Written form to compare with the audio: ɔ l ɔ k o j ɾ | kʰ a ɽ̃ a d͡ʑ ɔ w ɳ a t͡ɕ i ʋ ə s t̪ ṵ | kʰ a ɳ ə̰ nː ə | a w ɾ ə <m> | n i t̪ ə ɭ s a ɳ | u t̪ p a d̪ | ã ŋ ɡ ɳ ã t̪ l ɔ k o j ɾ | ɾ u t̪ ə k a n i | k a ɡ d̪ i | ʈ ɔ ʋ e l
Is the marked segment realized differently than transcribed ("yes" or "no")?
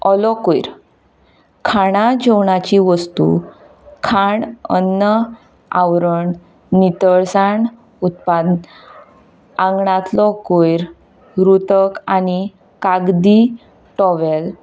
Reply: yes